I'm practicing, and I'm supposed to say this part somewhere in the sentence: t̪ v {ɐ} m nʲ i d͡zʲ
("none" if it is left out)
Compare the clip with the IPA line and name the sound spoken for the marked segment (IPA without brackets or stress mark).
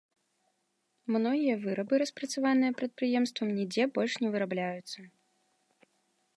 ɐ